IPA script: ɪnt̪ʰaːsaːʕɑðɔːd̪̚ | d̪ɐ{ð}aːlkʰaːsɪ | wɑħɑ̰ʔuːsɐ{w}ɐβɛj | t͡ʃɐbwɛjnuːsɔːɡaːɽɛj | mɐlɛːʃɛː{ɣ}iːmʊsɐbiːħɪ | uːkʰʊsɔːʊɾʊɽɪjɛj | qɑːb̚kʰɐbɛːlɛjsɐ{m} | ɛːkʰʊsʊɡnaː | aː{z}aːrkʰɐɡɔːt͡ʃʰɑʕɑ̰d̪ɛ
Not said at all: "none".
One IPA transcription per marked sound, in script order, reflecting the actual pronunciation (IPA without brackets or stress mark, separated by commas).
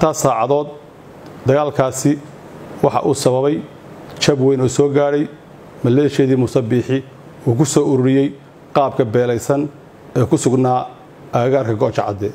ɣ, β, ð, n, ɣ